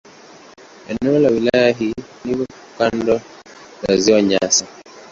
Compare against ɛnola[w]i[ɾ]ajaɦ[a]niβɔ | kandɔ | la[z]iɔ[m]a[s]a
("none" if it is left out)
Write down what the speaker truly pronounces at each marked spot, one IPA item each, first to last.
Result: w, l, i, z, ɲ, s

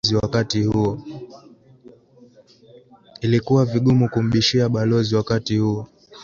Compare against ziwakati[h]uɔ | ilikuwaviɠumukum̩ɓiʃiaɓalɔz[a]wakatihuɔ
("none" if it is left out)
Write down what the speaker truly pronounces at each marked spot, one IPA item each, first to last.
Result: h, i

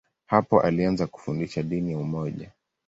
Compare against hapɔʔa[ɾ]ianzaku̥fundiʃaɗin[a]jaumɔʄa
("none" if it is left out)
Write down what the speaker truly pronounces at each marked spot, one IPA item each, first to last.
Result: l, i

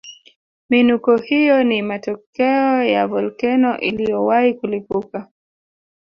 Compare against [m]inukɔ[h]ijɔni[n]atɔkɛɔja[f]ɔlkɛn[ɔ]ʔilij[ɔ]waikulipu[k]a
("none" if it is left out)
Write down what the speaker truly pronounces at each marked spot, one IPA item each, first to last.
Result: m, h, m, v, ɔ, ɔ, k

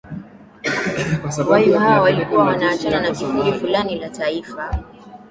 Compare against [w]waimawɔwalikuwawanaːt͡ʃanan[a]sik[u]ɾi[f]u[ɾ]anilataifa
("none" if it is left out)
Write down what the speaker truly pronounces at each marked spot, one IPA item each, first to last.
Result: w, a, u, f, l

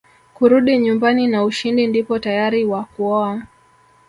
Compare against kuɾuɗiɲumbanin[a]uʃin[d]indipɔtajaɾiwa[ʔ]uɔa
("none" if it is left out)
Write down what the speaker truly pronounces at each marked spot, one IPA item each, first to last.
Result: a, d, k

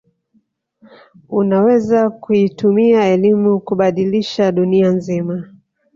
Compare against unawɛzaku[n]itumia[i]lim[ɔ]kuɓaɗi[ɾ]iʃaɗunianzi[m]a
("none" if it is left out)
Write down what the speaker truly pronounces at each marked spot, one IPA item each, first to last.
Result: none, ɛ, u, l, m

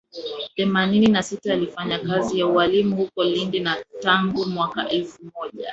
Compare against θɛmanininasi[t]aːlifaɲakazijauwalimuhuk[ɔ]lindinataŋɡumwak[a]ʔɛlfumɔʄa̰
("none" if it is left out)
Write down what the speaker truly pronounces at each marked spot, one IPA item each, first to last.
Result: t, ɔ, a

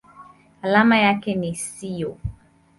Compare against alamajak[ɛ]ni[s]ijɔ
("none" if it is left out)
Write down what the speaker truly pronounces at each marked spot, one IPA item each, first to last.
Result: ɛ, s

